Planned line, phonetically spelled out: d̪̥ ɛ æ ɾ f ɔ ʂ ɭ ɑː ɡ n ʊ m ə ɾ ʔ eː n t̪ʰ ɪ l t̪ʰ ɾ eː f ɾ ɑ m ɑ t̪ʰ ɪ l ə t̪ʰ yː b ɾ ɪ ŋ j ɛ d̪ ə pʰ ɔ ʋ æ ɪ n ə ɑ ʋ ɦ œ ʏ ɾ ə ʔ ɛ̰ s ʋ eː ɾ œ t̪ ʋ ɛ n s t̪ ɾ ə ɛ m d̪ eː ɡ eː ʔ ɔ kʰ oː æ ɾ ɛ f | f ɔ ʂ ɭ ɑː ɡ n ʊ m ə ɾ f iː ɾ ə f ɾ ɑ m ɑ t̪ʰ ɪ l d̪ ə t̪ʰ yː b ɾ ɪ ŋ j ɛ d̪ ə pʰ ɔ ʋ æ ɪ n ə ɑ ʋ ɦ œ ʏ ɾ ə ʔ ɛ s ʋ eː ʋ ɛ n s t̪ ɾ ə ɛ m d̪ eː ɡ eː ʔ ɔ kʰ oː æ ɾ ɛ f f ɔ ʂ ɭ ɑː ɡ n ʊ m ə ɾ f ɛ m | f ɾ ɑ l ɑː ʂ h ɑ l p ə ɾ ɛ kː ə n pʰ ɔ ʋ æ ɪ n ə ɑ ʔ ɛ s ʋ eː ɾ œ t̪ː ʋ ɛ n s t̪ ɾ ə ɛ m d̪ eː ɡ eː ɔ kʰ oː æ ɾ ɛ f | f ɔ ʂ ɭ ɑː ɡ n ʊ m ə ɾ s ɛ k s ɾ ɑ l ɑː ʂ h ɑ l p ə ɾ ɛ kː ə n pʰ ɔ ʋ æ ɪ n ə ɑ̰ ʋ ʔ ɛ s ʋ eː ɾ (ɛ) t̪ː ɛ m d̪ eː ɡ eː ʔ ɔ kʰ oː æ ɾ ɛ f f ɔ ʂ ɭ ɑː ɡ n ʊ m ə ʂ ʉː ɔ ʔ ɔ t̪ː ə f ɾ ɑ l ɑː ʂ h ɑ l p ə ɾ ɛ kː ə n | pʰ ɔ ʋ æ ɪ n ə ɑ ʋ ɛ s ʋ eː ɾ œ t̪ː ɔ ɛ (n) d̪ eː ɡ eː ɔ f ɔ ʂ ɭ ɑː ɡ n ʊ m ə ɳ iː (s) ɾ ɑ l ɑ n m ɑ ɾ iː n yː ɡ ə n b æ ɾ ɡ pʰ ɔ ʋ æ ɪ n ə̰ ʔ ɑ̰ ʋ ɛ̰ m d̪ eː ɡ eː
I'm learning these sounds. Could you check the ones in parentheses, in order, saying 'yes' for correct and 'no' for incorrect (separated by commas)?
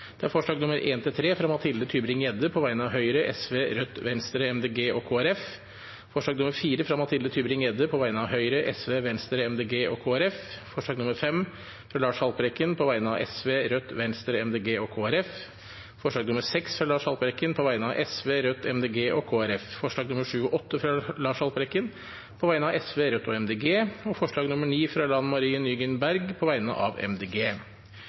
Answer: no, no, no